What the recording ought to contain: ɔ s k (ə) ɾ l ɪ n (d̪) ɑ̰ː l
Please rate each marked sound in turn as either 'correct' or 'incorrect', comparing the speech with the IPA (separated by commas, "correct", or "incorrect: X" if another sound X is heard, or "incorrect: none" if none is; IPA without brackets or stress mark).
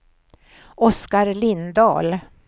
incorrect: a, correct